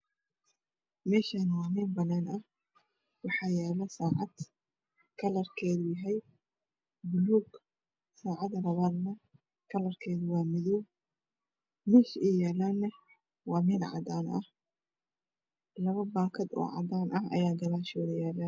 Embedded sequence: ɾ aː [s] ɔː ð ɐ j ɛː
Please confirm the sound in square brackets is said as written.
no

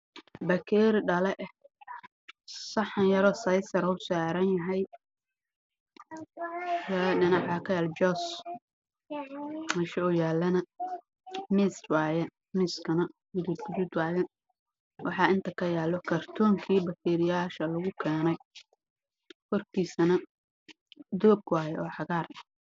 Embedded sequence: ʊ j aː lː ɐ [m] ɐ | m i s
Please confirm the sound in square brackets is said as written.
no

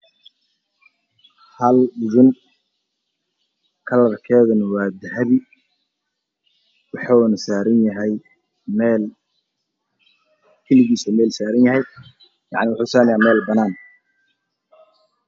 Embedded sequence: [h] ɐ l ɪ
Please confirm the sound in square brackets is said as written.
yes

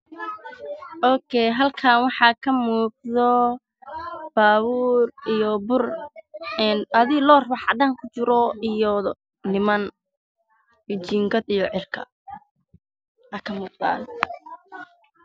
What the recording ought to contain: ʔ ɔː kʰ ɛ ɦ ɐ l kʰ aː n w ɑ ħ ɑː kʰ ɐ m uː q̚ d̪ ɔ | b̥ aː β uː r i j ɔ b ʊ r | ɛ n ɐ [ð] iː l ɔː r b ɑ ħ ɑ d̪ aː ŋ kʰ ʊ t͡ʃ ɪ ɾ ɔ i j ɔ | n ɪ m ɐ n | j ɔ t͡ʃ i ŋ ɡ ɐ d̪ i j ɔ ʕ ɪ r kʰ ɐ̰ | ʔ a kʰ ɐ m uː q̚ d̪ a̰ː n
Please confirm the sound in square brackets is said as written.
yes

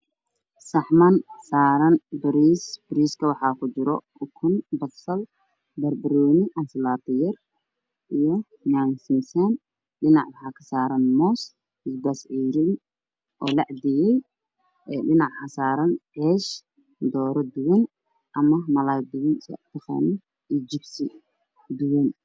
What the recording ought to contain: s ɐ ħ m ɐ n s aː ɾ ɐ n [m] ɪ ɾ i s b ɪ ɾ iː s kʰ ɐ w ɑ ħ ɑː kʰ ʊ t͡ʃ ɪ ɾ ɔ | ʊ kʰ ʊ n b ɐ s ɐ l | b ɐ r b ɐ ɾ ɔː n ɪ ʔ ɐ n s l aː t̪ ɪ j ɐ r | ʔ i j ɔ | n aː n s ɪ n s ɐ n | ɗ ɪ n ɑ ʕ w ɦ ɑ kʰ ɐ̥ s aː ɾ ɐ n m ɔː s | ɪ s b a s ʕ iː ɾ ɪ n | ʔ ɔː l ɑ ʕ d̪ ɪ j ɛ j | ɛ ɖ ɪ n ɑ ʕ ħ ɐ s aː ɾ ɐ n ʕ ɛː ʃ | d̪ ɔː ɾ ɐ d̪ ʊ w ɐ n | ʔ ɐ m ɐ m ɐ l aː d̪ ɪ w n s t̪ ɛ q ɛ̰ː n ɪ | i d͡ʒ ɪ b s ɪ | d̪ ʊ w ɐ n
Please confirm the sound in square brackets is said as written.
no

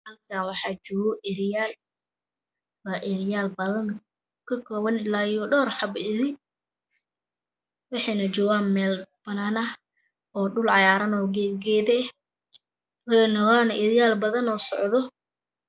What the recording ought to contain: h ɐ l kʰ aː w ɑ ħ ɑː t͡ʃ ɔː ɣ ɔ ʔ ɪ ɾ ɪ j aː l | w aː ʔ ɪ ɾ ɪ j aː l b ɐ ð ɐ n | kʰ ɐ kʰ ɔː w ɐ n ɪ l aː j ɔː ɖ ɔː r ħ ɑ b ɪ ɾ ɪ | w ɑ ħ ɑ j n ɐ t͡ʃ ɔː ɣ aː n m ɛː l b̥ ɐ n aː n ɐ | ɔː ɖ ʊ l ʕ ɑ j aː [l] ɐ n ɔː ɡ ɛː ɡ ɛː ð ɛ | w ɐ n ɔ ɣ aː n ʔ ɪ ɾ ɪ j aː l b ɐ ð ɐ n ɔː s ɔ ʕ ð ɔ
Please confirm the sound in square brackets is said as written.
no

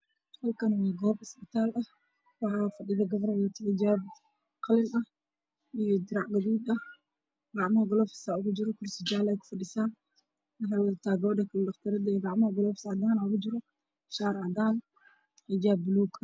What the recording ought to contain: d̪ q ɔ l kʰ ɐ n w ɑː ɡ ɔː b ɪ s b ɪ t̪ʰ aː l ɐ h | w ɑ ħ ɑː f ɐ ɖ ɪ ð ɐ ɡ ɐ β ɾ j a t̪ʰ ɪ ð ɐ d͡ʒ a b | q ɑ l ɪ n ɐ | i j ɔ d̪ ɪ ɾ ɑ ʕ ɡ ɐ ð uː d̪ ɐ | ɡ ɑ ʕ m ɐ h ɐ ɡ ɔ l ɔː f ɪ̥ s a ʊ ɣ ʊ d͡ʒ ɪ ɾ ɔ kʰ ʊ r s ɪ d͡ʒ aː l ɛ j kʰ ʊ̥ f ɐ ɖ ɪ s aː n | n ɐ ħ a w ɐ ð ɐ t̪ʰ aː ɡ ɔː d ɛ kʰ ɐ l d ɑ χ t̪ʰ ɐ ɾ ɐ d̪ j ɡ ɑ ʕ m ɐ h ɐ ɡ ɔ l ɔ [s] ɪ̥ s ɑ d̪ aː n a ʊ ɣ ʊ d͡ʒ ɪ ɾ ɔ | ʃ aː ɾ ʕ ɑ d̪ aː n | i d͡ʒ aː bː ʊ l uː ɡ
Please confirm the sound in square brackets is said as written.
no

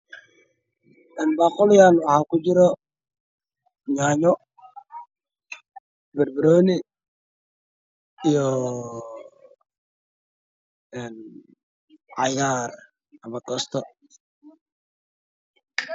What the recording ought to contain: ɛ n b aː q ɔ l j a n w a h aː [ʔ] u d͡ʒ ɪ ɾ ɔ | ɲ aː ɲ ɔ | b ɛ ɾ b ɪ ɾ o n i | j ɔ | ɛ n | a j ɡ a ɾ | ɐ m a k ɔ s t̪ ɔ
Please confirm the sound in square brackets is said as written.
no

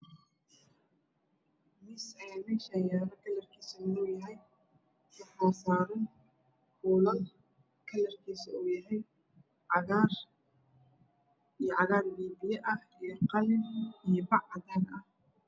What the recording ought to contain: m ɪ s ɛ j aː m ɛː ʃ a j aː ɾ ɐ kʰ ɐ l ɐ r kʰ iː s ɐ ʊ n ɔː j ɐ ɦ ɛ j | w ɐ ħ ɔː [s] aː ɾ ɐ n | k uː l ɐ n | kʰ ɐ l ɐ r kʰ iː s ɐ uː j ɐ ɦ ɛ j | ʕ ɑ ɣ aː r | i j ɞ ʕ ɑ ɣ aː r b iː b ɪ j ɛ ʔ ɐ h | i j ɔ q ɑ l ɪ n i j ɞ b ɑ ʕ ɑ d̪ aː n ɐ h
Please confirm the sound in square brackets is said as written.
yes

